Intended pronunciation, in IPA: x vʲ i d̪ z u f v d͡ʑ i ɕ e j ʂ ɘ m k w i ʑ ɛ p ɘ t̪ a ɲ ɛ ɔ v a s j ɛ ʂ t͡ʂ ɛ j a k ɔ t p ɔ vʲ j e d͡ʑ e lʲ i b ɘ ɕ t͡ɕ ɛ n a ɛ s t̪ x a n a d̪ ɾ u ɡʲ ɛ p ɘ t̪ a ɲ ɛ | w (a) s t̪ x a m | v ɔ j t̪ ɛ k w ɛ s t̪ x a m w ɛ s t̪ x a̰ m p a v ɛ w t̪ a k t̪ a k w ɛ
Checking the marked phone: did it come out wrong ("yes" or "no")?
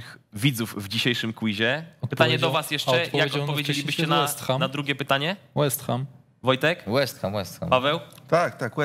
yes